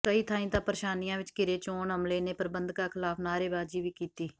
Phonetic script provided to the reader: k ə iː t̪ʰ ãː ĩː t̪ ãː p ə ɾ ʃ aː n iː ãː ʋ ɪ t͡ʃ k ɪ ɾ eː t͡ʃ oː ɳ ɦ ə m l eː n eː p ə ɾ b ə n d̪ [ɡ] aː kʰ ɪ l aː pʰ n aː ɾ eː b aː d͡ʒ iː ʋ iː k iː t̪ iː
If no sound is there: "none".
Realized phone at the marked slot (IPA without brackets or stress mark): k